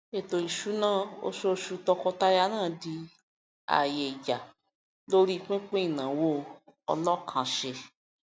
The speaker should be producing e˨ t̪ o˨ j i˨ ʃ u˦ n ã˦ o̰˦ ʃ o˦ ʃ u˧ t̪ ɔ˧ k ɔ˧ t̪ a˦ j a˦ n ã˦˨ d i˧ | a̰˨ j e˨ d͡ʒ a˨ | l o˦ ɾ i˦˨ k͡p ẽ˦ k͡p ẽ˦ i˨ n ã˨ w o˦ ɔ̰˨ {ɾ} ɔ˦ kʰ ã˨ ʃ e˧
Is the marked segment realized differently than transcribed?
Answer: yes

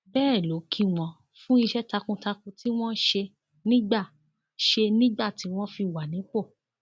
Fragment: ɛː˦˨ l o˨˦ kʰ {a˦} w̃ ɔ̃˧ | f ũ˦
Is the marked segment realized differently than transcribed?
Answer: yes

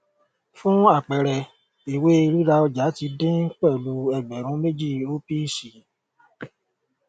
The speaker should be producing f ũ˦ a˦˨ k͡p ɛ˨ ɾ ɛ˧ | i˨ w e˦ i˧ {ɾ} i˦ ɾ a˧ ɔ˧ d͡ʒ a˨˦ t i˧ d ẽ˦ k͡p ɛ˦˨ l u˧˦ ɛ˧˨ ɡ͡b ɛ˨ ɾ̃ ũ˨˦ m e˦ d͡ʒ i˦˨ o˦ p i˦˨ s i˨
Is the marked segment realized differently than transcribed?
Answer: no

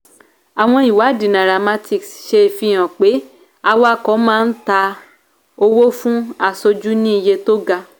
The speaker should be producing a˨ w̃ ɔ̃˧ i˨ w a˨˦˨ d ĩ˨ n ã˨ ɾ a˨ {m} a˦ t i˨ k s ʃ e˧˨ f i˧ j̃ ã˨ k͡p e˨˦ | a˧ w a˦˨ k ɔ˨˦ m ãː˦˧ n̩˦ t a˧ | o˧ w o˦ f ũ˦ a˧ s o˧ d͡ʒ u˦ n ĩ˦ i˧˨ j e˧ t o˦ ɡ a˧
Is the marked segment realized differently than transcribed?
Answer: no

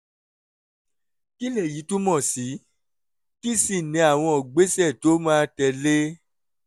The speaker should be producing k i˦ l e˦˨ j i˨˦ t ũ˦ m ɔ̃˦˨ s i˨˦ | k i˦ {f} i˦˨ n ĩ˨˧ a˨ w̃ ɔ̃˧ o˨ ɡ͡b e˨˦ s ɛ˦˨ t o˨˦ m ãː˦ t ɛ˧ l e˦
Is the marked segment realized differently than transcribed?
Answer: yes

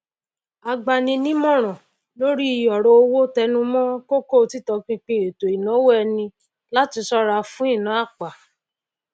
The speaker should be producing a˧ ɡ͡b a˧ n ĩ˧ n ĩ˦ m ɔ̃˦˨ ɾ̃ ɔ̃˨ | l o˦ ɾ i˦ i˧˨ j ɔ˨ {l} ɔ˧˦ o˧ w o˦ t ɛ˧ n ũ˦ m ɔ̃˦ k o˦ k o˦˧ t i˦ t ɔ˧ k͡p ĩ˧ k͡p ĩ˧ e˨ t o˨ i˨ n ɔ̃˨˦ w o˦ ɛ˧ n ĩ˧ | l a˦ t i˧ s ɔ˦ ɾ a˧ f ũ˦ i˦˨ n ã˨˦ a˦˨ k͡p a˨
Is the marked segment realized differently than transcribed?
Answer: yes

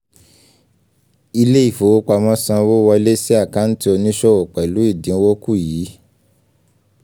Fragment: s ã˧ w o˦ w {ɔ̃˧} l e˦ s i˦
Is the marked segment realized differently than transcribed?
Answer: yes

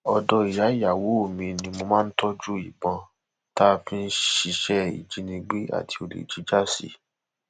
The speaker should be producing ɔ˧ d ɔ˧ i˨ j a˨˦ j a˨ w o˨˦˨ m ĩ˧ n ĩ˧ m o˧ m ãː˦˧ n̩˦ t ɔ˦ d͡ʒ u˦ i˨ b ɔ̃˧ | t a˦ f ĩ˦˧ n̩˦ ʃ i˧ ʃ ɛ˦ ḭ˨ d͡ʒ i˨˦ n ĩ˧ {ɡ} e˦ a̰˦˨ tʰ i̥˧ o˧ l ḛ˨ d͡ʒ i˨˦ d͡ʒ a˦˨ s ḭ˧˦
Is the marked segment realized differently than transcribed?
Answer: yes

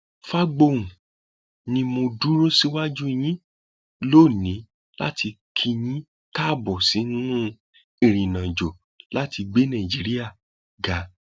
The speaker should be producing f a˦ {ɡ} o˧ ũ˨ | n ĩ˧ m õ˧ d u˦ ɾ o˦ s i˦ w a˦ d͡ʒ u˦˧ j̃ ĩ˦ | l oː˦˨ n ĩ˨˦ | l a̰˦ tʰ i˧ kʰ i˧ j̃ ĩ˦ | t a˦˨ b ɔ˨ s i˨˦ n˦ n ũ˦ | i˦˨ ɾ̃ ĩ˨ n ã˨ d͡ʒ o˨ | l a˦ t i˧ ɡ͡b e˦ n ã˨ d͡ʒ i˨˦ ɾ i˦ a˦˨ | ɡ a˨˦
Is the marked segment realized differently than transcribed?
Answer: yes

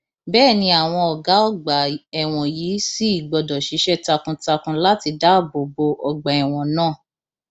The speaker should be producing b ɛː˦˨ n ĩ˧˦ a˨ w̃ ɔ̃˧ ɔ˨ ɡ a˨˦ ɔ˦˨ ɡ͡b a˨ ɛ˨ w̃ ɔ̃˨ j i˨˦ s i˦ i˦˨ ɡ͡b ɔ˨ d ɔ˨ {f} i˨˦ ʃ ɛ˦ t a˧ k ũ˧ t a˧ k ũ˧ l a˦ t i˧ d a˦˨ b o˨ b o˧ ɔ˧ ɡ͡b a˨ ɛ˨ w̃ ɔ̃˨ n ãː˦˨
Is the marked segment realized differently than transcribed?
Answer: yes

